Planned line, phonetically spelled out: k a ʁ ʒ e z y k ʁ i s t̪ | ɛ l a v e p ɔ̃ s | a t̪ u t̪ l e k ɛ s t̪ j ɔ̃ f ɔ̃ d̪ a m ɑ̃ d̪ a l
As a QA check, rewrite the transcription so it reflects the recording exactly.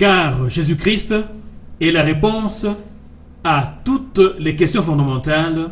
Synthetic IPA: k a ʁ ʒ e z y k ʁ i s t̪ | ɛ l a ʁ e p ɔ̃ s | a t̪ u t̪ l e k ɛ s t̪ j ɔ̃ f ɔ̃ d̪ a m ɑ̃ t̪ a l